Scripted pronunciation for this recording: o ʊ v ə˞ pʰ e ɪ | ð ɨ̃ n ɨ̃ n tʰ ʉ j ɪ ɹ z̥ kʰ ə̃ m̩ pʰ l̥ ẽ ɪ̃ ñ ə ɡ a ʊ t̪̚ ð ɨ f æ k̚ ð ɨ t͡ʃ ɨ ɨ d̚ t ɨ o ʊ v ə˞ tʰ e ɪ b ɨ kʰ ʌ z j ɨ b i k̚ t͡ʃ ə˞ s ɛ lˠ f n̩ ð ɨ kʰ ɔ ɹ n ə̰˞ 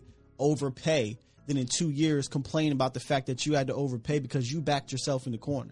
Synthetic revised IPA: o ʊ v ə˞ pʰ e ɪ | ð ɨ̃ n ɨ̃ n tʰ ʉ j ɪ ɹ z̥ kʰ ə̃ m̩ pʰ l̥ ẽ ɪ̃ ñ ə b a ʊ t̪̚ ð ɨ f æ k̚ ð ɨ t͡ʃ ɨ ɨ d̚ t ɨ o ʊ v ə˞ pʰ e ɪ b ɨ kʰ ʌ z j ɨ b æ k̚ t͡ʃ ə˞ s ɛ lˠ f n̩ ð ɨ kʰ ɔ ɹ n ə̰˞